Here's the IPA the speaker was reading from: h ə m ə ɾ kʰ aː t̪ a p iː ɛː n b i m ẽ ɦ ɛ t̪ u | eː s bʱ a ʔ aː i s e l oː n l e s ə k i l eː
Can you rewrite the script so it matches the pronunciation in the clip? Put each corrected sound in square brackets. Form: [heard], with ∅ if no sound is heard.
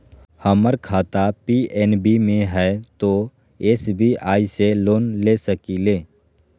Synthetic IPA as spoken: h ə m ə ɾ kʰ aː t̪ a p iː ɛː n b i m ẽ ɦ ɛ t̪ [o] | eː s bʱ [i] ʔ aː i s e l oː n l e s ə k i l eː

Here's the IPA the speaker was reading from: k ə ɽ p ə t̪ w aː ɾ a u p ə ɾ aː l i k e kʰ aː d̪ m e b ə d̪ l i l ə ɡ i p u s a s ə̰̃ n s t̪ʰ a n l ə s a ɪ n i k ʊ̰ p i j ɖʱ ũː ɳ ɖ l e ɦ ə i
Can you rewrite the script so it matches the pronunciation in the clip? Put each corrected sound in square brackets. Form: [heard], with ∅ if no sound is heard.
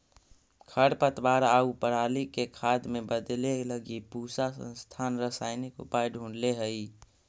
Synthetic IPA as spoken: [kʰ] ə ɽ p ə t̪ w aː ɾ a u p ə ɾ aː l i k e kʰ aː d̪ m e b ə d̪ l [e] l ə ɡ i p u s a s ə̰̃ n s t̪ʰ a n [ɾ] ə s a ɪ n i k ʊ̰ p [a] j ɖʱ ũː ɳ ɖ l e ɦ ə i

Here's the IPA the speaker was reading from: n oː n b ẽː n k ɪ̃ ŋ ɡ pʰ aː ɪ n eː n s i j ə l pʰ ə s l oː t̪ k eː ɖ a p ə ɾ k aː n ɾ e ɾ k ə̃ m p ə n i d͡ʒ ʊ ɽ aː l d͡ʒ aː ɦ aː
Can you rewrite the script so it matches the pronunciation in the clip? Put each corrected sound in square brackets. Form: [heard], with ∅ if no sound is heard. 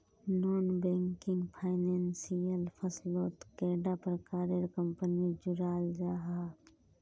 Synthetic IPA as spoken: n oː n b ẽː [ŋ] k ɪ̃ ŋ ɡ pʰ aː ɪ n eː n s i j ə l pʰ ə s l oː t̪ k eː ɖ a p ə ɾ k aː [∅] ɾ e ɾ k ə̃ m p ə n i d͡ʒ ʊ [ɾ] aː l d͡ʒ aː ɦ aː

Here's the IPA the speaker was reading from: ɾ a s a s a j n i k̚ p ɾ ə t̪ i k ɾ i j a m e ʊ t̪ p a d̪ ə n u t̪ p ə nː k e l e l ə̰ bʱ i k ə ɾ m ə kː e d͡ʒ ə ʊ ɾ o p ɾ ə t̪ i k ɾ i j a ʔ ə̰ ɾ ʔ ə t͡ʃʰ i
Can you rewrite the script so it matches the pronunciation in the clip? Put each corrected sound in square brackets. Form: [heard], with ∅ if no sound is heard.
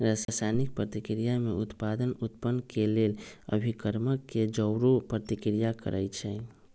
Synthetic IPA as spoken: ɾ a s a s a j n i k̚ p ɾ ə t̪ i k ɾ i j a m e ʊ t̪ p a d̪ ə n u t̪ p ə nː k e l e l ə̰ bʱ i k ə ɾ m ə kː e d͡ʒ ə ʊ ɾ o p ɾ ə t̪ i k ɾ i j a [k] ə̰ ɾ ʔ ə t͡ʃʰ [ɛ]

